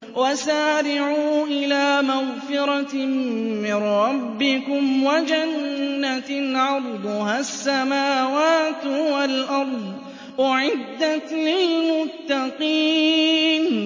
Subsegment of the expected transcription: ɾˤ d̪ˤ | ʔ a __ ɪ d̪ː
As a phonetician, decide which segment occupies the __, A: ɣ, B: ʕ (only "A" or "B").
B